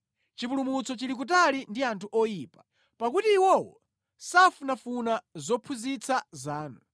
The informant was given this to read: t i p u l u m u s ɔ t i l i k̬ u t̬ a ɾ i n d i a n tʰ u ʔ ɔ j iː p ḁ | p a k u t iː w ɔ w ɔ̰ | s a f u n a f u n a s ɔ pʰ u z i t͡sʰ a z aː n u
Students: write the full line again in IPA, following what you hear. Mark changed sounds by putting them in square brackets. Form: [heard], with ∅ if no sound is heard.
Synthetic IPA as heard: [t͡ʃ] i p u l u m u [t͡s] ɔ [t͡ʃ] i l i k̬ u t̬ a [l] i n d i a n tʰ u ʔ ɔ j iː p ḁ | p a k u t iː w ɔ w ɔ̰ | s a f u n a f u n a [z] ɔ pʰ u z i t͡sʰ a z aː n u